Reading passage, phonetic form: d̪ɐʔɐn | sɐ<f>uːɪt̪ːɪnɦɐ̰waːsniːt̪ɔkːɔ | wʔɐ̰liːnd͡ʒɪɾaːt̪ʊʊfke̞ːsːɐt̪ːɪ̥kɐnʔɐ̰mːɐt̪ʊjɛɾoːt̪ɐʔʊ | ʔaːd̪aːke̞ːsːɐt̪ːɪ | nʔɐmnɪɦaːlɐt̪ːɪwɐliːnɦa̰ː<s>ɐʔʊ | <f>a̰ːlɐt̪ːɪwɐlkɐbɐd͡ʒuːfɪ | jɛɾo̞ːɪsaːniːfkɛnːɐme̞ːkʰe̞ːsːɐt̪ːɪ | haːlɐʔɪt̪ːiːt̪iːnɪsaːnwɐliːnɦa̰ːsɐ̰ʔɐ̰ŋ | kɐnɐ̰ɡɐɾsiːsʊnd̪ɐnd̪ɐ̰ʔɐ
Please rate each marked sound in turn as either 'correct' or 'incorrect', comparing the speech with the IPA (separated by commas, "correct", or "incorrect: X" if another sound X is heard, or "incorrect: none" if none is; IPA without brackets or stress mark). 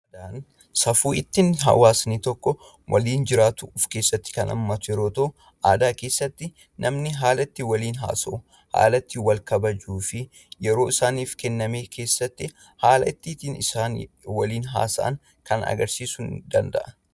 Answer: correct, correct, incorrect: h